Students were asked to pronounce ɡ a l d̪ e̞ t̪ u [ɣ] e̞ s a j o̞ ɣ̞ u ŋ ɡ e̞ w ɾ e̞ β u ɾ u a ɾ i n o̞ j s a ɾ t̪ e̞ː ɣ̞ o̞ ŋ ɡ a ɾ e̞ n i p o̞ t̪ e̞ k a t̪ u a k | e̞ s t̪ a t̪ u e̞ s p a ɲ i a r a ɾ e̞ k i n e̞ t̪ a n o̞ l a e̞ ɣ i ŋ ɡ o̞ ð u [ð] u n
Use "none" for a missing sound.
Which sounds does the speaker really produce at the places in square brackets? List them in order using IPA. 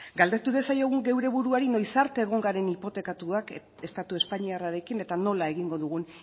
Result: ð, ɣ

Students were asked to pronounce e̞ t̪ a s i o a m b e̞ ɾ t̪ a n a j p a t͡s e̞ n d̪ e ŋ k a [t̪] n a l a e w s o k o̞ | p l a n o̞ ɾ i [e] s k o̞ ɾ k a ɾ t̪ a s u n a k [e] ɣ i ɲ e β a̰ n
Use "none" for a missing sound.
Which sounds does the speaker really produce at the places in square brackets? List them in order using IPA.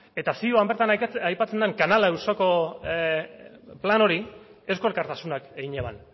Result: none, e, e

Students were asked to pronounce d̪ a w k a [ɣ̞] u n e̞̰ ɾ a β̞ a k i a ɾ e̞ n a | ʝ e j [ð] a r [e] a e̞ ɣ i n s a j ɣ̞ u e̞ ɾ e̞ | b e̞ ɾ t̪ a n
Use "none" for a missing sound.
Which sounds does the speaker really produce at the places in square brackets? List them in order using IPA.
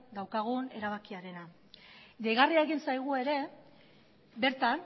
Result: ɣ̞, ɣ, i

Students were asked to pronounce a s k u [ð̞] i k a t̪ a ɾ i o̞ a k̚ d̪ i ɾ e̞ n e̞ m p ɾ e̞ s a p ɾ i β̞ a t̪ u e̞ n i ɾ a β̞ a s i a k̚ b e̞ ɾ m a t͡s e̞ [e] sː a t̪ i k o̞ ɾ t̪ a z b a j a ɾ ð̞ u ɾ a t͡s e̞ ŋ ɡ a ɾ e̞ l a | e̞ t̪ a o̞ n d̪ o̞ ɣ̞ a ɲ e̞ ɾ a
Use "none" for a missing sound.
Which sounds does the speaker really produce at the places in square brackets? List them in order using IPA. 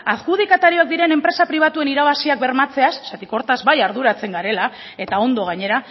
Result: ð̞, a

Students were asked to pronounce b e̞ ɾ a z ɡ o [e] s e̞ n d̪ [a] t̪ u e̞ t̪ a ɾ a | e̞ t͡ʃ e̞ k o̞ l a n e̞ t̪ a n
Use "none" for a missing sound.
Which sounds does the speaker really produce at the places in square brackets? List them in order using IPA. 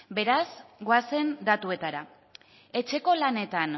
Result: a, a

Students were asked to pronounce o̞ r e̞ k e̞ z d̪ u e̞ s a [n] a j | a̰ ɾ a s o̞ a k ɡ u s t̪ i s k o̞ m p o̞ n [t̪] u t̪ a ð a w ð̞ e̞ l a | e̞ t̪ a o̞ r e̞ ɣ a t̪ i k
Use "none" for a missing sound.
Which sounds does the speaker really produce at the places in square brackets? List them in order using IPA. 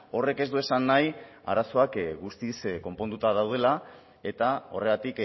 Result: nː, d̪

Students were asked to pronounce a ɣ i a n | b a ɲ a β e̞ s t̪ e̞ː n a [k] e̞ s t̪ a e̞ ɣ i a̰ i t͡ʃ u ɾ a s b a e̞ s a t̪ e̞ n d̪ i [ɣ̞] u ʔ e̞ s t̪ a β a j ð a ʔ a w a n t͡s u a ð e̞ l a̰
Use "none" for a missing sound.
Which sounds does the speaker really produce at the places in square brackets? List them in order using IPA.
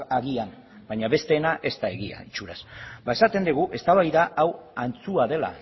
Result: ʔ, ɣ̞

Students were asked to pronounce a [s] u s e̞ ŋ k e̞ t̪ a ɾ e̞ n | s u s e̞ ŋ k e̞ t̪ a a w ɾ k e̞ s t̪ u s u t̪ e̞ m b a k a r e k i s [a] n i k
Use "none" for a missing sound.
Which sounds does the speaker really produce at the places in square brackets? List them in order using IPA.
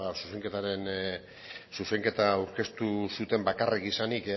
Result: s, a

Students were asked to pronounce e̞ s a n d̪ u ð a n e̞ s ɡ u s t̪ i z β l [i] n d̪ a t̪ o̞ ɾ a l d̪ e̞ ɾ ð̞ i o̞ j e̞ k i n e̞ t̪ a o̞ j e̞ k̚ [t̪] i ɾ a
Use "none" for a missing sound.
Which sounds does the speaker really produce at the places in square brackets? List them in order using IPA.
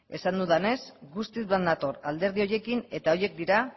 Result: a, d̪

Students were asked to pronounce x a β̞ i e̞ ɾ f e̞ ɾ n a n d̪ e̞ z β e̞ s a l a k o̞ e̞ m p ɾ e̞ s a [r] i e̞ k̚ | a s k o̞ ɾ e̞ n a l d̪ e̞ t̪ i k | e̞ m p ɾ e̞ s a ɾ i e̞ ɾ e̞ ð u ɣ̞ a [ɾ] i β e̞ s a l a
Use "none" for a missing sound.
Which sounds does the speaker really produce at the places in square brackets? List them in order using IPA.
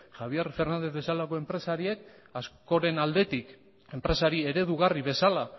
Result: ɾ, r

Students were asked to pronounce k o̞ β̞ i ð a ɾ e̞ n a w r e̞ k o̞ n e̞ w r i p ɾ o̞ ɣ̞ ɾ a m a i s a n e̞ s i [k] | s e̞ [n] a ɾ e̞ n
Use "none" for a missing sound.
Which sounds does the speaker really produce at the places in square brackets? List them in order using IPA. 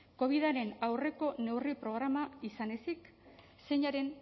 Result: k, ɲ

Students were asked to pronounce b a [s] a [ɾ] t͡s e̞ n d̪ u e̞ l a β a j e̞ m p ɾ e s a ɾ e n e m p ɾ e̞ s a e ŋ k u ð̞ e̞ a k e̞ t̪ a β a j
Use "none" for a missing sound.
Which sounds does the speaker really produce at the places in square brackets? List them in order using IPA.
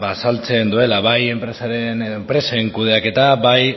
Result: s, l

